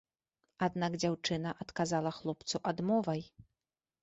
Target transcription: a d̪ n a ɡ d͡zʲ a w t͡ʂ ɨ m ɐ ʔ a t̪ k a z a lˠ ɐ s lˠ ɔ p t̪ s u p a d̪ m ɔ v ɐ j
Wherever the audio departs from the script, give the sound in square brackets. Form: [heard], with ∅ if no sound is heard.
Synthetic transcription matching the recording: a d̪ n a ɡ d͡zʲ a w t͡ʂ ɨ [n] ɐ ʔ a t̪ k a z a lˠ ɐ [x] lˠ ɔ p t̪ s u [ʔ] a d̪ m ɔ v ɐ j